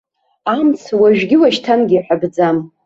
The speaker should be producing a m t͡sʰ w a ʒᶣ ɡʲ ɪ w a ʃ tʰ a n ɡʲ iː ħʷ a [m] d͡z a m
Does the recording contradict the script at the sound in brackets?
yes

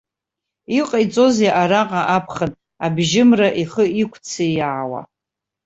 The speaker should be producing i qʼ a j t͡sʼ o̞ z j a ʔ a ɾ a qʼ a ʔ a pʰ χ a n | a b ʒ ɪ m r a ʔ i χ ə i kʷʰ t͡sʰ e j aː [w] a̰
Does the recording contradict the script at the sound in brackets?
no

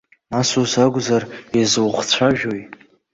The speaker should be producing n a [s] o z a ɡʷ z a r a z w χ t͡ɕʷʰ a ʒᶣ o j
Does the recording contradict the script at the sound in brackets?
no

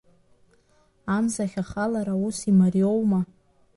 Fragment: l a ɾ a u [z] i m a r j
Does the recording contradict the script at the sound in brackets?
yes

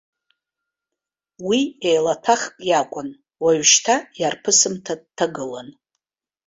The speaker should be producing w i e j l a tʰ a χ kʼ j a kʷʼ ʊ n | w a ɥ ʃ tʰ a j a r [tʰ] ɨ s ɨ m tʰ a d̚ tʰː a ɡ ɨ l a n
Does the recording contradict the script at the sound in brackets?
yes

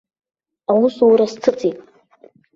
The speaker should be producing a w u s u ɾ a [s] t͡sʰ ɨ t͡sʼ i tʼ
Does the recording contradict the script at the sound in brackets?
no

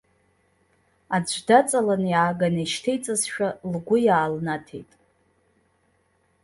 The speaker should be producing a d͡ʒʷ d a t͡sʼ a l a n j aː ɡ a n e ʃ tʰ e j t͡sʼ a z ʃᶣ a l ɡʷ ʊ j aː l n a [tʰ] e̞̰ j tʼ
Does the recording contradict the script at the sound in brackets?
no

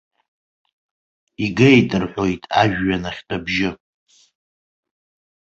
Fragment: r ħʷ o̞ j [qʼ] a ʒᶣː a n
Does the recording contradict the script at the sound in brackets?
yes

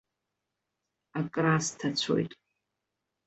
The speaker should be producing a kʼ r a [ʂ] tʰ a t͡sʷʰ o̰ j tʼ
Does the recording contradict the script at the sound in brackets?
yes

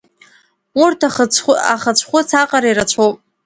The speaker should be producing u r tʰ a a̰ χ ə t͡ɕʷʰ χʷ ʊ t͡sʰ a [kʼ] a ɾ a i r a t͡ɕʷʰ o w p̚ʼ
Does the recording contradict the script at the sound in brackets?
yes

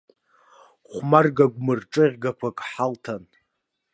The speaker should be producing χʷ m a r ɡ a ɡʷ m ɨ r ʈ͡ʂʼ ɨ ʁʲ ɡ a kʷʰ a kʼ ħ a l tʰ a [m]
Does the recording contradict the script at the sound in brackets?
yes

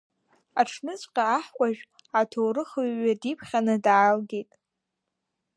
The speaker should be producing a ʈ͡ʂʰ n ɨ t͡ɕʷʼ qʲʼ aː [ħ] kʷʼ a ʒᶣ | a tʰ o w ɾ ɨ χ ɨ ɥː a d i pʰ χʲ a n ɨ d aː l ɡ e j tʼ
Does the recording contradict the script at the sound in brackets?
no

